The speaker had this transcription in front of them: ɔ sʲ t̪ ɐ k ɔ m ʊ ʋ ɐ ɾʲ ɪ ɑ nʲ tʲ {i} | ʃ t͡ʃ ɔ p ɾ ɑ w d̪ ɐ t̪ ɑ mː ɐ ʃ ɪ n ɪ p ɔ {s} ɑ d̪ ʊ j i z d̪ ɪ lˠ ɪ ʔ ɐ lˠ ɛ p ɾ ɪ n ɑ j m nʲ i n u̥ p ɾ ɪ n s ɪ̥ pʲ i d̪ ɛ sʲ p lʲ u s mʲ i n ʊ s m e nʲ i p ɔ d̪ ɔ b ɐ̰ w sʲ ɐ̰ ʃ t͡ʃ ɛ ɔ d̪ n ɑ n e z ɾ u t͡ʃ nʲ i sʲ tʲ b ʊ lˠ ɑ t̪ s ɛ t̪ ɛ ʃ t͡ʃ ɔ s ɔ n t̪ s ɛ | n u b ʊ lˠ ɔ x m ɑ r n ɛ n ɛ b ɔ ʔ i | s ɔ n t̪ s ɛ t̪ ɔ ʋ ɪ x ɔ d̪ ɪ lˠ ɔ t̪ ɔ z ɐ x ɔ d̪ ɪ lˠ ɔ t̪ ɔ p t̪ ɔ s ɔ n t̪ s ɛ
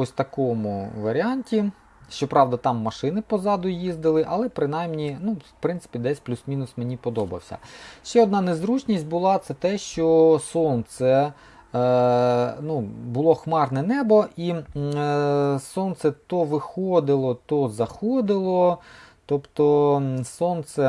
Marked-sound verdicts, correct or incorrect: correct, incorrect

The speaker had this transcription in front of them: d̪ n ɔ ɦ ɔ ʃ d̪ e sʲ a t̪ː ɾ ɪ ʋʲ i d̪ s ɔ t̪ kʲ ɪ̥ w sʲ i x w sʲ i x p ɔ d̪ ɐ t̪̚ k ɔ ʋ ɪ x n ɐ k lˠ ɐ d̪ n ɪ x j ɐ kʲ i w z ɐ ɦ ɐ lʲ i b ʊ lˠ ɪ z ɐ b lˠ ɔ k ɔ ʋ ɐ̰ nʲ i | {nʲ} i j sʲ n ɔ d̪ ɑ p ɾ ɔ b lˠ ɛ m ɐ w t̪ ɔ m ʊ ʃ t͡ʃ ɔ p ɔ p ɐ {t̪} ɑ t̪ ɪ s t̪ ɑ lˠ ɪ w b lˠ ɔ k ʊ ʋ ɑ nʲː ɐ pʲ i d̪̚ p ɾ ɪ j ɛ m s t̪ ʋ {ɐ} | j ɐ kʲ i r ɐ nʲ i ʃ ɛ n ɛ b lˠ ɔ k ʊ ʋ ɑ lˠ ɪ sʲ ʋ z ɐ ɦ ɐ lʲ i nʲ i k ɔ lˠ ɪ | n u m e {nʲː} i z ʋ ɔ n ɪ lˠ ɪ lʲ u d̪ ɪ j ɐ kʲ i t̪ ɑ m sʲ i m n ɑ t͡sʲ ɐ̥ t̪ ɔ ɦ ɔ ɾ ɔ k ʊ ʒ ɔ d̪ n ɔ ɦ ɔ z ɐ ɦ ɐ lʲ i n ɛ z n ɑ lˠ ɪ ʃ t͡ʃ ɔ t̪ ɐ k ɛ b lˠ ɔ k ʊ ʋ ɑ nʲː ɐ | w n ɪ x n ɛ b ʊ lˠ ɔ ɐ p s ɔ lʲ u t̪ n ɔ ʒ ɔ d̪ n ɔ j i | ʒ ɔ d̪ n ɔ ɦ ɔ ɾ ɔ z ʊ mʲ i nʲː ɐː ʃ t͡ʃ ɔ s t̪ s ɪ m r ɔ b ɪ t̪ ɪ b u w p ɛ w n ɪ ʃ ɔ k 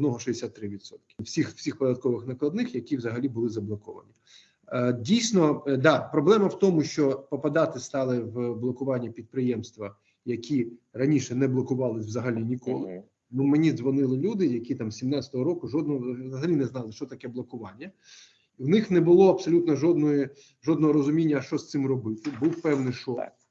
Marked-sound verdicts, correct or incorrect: incorrect, incorrect, correct, incorrect

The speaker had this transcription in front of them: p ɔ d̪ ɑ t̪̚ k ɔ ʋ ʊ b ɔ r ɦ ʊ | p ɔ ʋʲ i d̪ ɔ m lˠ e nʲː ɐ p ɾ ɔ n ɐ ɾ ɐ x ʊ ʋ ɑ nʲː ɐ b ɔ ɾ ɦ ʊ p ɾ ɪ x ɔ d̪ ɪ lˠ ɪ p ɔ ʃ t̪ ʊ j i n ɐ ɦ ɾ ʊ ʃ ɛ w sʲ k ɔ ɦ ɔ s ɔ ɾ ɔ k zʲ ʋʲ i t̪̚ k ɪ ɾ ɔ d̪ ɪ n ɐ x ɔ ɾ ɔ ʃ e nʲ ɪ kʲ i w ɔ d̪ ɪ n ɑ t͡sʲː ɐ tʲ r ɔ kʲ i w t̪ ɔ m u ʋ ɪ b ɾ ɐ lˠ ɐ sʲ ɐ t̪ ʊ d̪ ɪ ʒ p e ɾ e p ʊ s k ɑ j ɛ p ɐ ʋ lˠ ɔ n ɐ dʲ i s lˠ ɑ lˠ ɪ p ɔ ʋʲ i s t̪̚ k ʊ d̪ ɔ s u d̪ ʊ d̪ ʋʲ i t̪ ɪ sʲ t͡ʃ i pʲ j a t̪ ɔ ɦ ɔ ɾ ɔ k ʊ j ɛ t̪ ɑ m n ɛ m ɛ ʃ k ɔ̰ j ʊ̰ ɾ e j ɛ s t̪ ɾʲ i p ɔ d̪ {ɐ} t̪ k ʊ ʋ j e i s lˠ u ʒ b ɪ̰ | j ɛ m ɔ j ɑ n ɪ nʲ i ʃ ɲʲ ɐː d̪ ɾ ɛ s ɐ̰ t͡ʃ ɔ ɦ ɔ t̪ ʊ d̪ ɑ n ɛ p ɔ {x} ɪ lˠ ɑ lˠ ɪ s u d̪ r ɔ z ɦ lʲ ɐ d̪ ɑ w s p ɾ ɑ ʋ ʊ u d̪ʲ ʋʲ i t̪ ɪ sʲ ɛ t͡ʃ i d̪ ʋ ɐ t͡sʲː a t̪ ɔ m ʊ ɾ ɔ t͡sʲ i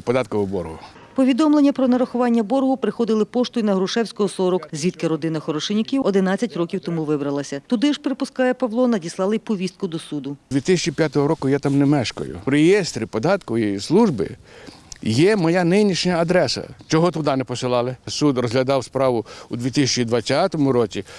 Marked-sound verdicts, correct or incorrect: incorrect, incorrect

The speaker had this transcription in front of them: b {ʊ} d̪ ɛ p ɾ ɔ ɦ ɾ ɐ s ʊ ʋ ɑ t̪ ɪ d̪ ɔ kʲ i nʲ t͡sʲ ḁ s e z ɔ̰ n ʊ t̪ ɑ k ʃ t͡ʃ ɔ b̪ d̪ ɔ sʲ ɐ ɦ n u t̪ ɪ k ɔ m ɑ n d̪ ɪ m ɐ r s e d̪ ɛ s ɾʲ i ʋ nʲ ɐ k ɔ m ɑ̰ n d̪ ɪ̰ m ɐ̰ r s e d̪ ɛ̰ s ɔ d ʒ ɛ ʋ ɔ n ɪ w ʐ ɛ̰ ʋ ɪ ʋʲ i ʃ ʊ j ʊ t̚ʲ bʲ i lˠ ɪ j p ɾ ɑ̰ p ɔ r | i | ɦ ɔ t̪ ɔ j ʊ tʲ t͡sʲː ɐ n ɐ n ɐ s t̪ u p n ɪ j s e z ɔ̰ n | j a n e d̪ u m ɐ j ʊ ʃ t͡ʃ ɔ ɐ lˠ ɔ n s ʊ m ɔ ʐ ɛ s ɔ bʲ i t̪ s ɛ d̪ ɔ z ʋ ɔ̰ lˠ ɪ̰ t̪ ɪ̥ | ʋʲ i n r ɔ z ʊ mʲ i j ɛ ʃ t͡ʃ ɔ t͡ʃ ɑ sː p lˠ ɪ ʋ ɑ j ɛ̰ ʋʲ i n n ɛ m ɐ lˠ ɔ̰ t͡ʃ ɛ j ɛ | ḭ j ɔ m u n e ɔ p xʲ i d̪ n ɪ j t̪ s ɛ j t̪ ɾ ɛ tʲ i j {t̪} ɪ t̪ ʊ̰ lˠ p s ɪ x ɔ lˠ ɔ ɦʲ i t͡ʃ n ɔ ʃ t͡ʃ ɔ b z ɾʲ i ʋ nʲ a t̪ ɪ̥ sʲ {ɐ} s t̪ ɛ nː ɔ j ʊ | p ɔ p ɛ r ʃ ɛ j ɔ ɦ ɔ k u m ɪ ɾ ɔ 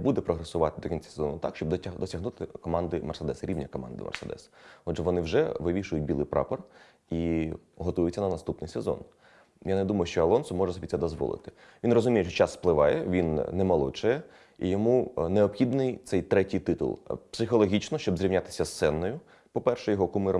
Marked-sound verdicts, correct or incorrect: incorrect, correct, correct

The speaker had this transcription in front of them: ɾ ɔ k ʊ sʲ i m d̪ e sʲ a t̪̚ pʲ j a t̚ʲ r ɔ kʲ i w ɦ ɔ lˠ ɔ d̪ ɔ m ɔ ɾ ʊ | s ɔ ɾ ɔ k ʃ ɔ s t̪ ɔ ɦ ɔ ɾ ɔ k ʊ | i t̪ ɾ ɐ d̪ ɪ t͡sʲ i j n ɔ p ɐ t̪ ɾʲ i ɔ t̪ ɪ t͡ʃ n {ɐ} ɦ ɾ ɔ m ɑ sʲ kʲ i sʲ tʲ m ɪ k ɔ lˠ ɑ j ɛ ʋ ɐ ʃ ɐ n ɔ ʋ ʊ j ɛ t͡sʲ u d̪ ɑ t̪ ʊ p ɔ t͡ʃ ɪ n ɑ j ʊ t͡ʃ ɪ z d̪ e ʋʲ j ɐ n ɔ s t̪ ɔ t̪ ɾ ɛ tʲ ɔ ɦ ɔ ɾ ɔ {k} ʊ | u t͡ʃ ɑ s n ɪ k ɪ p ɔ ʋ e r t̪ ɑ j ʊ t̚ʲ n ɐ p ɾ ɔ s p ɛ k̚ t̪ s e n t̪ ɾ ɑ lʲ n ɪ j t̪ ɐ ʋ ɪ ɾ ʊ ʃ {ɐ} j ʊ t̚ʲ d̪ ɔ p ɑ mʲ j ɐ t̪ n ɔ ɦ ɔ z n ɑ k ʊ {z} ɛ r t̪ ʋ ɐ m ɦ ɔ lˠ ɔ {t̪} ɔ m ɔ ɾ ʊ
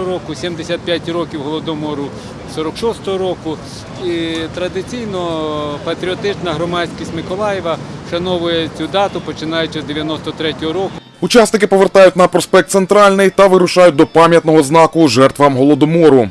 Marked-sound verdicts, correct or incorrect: correct, correct, incorrect, incorrect, incorrect

